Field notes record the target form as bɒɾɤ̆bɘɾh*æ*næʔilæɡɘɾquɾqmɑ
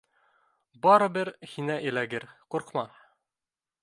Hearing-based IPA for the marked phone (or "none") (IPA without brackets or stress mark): i